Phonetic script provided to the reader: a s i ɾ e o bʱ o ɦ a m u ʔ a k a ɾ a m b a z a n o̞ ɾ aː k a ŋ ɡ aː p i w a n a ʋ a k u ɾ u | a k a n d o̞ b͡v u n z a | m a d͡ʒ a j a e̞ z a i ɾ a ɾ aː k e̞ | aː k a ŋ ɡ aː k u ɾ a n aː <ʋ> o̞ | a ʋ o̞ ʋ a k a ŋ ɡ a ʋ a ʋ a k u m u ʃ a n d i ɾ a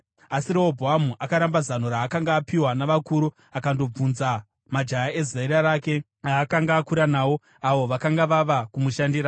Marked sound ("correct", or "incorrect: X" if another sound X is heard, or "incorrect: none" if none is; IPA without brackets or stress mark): incorrect: w